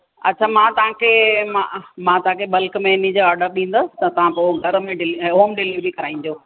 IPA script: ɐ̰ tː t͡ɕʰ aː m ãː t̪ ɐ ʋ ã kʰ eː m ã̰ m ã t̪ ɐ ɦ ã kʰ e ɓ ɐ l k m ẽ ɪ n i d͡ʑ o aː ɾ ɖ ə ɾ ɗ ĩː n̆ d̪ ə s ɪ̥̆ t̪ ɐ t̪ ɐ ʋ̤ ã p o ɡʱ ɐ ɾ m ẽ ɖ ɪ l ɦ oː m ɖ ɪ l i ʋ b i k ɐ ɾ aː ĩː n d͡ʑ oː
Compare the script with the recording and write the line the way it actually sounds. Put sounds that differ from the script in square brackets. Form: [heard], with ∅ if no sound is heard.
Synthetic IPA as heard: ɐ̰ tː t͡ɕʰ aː m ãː t̪ ɐ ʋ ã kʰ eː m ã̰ m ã t̪ ɐ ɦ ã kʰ e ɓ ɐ l k m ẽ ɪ n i d͡ʑ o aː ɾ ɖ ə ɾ ɗ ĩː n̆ d̪ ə s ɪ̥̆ t̪ ɐ t̪ ɐ ʋ̤ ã p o ɡʱ ɐ ɾ m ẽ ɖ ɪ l ɦ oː m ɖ ɪ l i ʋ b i k ɐ ɾ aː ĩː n d͡ʑ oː

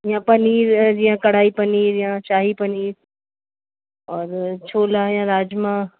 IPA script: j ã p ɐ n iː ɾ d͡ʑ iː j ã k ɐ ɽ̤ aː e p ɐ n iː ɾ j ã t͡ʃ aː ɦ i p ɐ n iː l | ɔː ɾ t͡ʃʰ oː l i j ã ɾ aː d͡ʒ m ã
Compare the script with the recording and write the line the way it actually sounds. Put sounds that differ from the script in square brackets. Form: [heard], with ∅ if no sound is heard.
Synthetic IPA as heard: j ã p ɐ n iː ɾ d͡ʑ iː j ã k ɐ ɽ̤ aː [i] p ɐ n iː ɾ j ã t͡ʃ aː ɦ i p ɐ n iː [ɾ] | ɔː ɾ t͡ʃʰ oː l [a] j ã ɾ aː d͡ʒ m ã

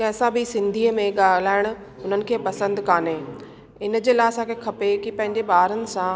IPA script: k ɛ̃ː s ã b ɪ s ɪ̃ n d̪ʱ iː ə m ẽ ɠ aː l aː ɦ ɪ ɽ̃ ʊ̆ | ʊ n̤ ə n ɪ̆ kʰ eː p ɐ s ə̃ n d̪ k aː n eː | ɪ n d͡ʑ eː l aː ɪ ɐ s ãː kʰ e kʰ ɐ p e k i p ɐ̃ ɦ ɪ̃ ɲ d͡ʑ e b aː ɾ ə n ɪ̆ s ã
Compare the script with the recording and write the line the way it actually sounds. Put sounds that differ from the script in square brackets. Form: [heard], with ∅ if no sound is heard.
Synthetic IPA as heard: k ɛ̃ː s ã b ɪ s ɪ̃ n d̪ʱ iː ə m ẽ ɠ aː l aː [∅] ɪ ɽ̃ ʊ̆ | ʊ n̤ ə n ɪ̆ kʰ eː p ɐ s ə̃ n d̪ k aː n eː | ɪ n d͡ʑ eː l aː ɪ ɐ s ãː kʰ e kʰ ɐ p e k i p ɐ̃ ɦ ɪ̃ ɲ d͡ʑ e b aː ɾ ə n ɪ̆ s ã

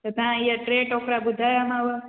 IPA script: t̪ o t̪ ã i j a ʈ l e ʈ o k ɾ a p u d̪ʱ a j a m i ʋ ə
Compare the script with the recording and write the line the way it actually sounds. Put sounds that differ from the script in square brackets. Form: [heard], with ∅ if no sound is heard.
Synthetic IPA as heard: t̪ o t̪ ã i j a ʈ [ɾ] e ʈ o k ɾ a [b] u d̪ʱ a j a m [a] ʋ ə

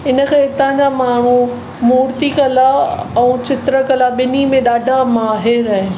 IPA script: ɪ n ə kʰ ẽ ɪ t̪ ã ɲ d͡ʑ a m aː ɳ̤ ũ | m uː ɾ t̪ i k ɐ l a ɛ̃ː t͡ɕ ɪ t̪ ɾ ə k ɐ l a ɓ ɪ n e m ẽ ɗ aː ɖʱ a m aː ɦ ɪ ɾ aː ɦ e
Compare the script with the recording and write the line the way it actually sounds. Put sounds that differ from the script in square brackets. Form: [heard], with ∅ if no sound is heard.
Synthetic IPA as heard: ɪ n ə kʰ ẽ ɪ t̪ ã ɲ d͡ʑ a m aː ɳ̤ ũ | m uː ɾ t̪ i k ɐ l a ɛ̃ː t͡ɕ ɪ t̪ ɾ ə k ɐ l a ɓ ɪ n [i] m ẽ ɗ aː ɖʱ a m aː ɦ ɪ ɾ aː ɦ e

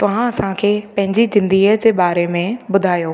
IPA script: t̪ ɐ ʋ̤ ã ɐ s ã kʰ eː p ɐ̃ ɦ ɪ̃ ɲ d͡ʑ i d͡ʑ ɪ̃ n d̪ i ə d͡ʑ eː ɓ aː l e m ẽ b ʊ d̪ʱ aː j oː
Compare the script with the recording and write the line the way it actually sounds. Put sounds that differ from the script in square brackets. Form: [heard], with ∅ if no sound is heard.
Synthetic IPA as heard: t̪ ɐ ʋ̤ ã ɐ s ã kʰ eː p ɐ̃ ɦ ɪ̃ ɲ d͡ʑ i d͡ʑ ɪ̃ n d̪ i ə d͡ʑ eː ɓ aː [ɾ] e m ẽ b ʊ d̪ʱ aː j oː

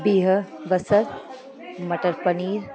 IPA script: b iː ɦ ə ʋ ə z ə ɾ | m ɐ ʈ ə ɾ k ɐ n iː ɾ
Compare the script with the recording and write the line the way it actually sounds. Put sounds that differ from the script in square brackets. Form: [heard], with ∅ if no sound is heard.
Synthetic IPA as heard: b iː ɦ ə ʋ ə [s] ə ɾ | m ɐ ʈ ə ɾ [p] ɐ n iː ɾ

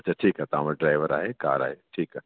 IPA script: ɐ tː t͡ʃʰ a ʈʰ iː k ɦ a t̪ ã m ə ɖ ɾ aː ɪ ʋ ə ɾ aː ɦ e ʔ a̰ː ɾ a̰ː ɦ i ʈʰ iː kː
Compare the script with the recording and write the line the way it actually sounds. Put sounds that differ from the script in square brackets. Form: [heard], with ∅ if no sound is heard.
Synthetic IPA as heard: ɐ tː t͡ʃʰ a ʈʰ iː k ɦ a t̪ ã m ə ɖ ɾ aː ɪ ʋ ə ɾ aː ɦ e [k] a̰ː ɾ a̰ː ɦ [e] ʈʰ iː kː

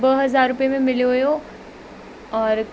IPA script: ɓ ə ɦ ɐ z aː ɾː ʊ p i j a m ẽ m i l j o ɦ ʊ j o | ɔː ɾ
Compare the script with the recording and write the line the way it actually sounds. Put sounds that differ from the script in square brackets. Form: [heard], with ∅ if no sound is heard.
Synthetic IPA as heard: [b] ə ɦ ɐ z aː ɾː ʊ p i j [e] m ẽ m [ɪ] l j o ɦ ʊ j o | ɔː ɾ

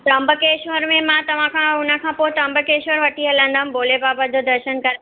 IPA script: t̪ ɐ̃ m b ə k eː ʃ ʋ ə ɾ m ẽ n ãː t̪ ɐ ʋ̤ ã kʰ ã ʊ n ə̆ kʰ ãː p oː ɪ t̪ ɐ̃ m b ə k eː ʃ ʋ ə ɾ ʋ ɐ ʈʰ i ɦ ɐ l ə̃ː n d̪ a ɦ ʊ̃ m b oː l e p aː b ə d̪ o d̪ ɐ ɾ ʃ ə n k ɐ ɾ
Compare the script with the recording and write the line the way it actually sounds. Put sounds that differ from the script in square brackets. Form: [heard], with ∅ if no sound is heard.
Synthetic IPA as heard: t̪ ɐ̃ m b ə k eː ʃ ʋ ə ɾ m ẽ [m] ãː t̪ ɐ ʋ̤ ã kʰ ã ʊ n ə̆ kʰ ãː p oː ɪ t̪ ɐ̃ m b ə k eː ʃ ʋ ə ɾ ʋ ɐ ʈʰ i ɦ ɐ l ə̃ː n d̪ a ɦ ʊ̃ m b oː l e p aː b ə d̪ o d̪ ɐ ɾ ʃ ə n k ɐ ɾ

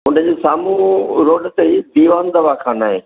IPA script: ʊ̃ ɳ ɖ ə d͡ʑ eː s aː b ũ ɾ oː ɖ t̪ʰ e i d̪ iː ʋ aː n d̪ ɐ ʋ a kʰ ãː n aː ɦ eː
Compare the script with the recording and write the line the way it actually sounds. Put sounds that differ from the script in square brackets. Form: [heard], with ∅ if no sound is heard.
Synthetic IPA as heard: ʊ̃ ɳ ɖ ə d͡ʑ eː s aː [m] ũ ɾ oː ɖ [t̪] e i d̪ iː ʋ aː n d̪ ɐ ʋ a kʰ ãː n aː ɦ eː

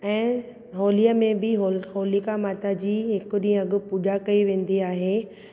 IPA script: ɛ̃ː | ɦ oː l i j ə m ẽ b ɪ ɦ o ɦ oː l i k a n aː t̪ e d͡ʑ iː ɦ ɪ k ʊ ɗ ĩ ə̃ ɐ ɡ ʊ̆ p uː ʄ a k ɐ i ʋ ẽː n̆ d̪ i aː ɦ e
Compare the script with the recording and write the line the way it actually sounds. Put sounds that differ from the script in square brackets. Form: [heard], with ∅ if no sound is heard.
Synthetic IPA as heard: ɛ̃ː | ɦ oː l i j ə m ẽ b ɪ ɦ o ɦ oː l i k a [m] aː t̪ [a] d͡ʑ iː ɦ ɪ k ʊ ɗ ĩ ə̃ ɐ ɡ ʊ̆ p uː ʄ a k ɐ i ʋ ẽː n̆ d̪ i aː ɦ e

